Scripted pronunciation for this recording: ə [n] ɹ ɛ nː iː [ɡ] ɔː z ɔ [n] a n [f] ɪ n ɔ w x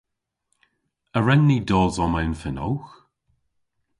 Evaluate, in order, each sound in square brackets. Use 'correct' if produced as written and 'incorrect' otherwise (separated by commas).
incorrect, incorrect, incorrect, correct